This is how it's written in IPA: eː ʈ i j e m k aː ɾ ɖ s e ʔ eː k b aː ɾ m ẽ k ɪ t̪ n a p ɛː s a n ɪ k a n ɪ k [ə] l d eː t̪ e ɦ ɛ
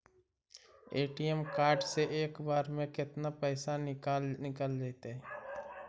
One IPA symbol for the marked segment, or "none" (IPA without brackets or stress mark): ə